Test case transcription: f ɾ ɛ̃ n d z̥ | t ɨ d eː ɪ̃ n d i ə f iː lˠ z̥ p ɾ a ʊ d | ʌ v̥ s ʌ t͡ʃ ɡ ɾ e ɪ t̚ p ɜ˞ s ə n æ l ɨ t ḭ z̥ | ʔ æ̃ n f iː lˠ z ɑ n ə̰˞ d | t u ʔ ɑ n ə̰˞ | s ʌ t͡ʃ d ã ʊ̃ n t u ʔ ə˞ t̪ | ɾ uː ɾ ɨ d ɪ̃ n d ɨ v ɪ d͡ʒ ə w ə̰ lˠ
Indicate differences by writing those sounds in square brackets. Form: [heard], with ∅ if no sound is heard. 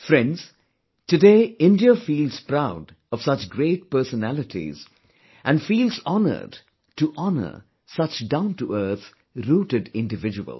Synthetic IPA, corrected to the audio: f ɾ ɛ̃ n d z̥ | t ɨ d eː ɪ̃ n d i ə f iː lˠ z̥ p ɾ a ʊ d | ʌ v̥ s ʌ t͡ʃ ɡ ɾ e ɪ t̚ p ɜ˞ s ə n æ l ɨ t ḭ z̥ | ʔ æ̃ n f iː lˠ z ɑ n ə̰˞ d | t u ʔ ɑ n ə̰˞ | s ʌ t͡ʃ d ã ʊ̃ n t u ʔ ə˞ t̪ | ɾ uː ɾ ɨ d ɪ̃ n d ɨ v ɪ d͡ʒ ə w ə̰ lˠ

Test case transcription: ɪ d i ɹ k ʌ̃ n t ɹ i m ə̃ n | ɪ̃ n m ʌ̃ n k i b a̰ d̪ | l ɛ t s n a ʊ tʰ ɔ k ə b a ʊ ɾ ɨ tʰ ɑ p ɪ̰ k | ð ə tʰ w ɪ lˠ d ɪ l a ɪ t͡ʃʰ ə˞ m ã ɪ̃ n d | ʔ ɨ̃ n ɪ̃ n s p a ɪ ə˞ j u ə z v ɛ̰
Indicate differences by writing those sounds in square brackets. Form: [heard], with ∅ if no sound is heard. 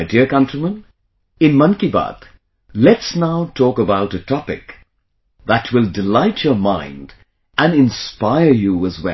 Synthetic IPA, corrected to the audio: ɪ d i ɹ k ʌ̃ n t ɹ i m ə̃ n | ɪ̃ n m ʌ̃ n k i b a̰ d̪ | l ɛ t s n a ʊ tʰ ɔ k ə b a ʊ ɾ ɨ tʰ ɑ p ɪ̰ k | ð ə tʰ w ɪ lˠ d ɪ l a ɪ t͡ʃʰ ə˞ m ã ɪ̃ n d | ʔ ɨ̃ n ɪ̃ n s p a ɪ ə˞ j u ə z [w] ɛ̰

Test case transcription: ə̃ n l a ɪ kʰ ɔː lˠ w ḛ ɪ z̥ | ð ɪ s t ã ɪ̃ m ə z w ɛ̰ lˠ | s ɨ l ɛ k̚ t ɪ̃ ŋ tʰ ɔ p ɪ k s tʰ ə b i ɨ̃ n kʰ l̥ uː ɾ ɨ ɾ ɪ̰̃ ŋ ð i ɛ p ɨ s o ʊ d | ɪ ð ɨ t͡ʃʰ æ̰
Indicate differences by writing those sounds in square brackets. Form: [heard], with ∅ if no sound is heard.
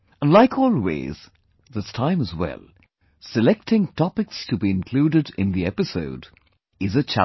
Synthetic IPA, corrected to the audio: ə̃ n l a ɪ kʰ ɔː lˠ w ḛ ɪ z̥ | ð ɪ s [tʰ] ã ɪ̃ m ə z w ɛ̰ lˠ | s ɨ l ɛ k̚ t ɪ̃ ŋ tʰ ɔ p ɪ k s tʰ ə b i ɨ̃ n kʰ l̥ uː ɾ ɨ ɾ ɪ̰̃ [n] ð i ɛ p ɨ s o ʊ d | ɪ [z] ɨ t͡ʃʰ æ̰

